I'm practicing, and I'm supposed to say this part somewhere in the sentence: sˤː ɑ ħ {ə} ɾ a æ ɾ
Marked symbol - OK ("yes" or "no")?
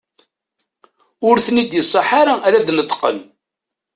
no